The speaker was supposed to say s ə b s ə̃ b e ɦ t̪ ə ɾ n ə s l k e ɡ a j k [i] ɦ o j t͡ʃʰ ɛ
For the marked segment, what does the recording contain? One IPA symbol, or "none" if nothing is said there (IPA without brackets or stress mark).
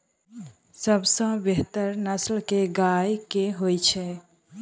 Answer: e